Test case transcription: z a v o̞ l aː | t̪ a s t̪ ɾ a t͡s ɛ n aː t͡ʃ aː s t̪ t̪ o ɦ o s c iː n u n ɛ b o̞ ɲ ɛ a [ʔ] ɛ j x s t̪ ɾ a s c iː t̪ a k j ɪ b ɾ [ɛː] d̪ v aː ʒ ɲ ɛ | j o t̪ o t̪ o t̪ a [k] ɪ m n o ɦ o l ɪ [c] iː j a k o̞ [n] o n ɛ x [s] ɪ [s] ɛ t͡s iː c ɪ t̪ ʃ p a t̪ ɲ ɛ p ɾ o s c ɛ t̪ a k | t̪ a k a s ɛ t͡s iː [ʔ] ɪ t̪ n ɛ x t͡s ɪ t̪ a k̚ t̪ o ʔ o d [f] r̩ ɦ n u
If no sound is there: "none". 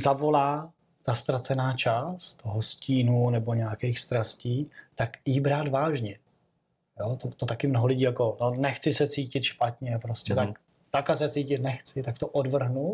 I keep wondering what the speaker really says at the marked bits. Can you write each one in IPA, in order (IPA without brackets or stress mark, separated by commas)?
k, aː, k, ɟ, n, t͡s, s, c, v